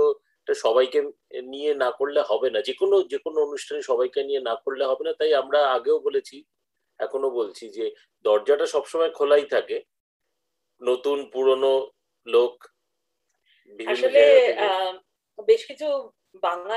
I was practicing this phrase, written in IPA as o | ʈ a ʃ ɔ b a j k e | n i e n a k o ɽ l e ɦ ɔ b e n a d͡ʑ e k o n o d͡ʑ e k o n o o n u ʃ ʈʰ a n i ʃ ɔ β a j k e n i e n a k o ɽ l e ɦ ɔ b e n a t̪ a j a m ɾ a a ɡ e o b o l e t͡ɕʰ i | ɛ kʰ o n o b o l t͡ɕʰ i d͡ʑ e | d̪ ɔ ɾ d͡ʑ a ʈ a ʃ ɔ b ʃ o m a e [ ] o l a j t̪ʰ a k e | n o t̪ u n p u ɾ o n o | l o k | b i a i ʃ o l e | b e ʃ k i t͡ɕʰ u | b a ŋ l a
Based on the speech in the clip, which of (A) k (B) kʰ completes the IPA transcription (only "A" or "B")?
B